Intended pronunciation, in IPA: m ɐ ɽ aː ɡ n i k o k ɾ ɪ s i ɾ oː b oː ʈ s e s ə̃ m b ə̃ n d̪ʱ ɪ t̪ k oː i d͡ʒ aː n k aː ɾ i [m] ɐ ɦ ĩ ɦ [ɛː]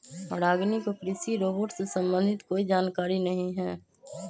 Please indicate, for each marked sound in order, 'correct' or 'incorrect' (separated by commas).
incorrect, correct